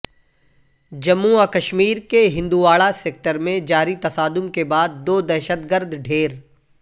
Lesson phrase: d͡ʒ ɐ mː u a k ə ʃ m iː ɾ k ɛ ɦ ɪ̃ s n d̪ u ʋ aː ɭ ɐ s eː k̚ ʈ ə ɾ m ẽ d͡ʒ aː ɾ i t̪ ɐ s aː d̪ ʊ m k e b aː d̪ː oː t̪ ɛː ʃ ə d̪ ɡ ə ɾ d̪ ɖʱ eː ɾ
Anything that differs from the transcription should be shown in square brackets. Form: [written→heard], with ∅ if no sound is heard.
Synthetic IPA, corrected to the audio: d͡ʒ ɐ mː u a k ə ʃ m iː ɾ k [ɛ→e] ɦ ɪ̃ [s→∅] n d̪ u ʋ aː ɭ [ɐ→a] s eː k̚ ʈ ə ɾ m ẽ d͡ʒ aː ɾ i t̪ ɐ s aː d̪ ʊ m k e b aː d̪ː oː [t̪→d̪] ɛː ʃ ə [d̪→t̪] ɡ ə ɾ d̪ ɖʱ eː ɾ